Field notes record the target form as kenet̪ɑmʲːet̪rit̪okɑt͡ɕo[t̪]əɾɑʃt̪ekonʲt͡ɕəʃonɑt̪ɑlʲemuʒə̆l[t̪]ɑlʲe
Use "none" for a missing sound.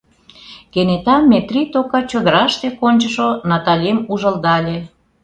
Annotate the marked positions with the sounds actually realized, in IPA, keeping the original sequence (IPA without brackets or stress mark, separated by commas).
d̪, d̪